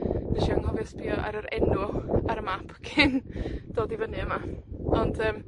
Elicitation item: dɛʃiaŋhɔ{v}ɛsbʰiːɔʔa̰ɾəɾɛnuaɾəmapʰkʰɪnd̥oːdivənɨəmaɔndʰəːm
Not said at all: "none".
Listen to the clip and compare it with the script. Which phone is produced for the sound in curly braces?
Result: v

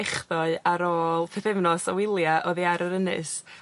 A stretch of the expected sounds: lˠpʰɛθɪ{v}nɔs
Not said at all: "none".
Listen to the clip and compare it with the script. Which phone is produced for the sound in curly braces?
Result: v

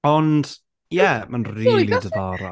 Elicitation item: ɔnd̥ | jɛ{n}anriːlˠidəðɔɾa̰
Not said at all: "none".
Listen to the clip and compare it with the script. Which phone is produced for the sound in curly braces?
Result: m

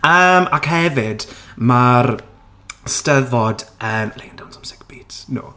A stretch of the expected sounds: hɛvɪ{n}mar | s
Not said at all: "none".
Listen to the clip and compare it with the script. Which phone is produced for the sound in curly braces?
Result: d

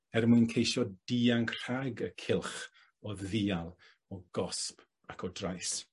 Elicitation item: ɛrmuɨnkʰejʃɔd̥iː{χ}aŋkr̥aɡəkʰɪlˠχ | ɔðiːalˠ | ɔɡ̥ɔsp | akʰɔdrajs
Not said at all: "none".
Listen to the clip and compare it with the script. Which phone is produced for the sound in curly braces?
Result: none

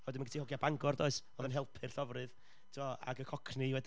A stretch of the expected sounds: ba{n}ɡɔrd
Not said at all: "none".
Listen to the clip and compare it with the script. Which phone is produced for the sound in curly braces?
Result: ŋ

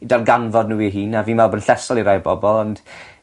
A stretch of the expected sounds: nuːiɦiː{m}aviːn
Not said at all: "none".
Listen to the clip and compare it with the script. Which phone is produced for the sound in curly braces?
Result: n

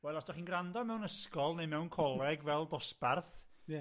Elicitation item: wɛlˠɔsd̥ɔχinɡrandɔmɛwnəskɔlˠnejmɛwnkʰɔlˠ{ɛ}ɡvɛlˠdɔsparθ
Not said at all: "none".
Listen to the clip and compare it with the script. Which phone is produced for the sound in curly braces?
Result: ɛ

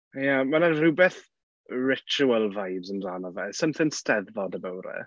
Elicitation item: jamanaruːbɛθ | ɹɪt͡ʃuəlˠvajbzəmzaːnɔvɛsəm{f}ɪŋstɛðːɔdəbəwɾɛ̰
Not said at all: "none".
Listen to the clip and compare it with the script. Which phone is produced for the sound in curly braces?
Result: θ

